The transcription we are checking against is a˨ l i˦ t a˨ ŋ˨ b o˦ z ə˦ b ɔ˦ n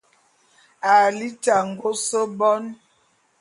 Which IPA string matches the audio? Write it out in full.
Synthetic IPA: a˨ l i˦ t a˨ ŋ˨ ɡ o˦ s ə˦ b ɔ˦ n